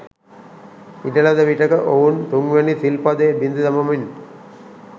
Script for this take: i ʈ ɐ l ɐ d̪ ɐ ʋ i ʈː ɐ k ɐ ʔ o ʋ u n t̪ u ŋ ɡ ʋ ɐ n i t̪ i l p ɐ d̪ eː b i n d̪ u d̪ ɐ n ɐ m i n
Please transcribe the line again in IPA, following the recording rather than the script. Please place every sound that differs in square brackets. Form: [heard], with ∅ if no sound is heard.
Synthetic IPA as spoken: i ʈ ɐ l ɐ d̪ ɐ ʋ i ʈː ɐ k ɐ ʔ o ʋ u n t̪ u ŋ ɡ ʋ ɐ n i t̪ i l p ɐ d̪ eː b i n d̪ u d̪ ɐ [m] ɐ m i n